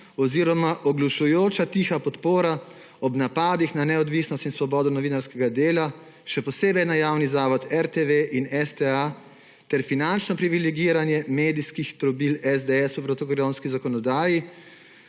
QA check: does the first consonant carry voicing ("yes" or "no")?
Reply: yes